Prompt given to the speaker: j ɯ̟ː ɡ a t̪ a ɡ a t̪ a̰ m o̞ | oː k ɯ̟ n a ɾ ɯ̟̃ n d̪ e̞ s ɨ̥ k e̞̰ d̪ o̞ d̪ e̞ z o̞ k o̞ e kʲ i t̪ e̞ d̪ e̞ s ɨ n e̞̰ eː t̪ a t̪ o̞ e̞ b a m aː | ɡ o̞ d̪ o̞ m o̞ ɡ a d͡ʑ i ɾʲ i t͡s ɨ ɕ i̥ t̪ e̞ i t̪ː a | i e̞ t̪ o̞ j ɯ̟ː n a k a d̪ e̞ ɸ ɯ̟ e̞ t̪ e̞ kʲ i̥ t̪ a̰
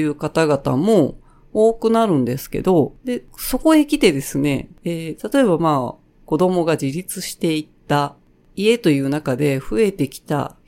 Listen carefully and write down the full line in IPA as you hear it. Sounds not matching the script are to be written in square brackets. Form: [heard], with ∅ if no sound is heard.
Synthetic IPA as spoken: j ɯ̟ː [k] a t̪ a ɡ a t̪ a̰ m o̞ | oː k ɯ̟ n a ɾ ɯ̟̃ n d̪ e̞ s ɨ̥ k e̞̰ d̪ o̞ d̪ e̞ [s] o̞ k o̞ e kʲ i t̪ e̞ d̪ e̞ s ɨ n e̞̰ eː t̪ a t̪ o̞ e̞ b a m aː | [k] o̞ d̪ o̞ m o̞ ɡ a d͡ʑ i ɾʲ i t͡s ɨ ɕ i̥ t̪ e̞ i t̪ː a | i e̞ t̪ o̞ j ɯ̟ː n a k a d̪ e̞ ɸ ɯ̟ e̞ t̪ e̞ kʲ i̥ t̪ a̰